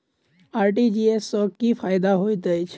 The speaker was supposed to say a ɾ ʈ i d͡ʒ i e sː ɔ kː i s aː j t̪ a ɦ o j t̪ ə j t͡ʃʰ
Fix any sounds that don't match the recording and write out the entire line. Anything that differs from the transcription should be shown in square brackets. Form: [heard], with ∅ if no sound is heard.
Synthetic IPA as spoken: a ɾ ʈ i d͡ʒ i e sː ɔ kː i [f] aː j [d̪] a ɦ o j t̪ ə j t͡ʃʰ